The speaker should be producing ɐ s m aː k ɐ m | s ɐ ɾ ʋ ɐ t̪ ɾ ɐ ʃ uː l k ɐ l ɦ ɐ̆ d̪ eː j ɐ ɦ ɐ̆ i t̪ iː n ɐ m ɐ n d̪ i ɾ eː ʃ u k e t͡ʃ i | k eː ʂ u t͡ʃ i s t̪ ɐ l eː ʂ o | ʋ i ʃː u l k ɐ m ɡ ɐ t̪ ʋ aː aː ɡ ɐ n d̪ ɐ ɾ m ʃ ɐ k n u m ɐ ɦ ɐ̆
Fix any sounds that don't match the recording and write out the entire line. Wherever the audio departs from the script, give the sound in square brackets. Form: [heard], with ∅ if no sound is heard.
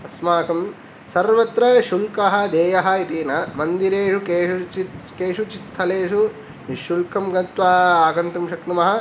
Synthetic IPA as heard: ɐ s m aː k ɐ m | s ɐ ɾ ʋ ɐ t̪ ɾ ɐ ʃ [u] l k ɐ [∅] ɦ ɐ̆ d̪ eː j ɐ ɦ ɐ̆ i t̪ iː n ɐ m ɐ n d̪ i ɾ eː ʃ u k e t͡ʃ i | k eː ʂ u t͡ʃ i s [t̪ʰ] ɐ l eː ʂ [u] | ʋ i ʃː u l k ɐ m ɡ ɐ t̪ ʋ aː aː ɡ ɐ n [t̪] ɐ [∅] m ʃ ɐ k n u m ɐ ɦ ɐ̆